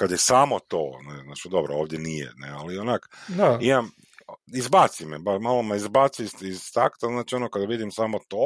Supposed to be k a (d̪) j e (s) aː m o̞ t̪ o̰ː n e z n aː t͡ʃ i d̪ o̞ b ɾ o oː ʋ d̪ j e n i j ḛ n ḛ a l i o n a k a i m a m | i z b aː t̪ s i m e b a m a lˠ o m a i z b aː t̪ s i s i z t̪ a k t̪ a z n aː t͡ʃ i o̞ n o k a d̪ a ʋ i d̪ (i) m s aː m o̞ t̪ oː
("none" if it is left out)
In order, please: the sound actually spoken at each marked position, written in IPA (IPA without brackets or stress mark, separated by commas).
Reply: d̪, s, i